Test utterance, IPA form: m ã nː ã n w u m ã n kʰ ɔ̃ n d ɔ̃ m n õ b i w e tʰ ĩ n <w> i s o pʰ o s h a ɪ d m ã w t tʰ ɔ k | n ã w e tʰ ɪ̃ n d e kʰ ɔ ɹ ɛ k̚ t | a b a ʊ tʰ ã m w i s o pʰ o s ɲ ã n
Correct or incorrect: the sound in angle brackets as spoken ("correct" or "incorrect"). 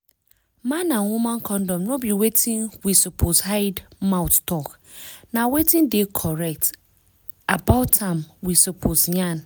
correct